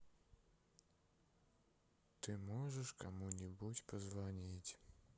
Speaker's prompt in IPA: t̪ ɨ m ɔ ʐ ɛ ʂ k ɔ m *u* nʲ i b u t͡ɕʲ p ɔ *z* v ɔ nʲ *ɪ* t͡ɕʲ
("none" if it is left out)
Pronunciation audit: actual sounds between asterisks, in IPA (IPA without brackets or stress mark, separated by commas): u, z, i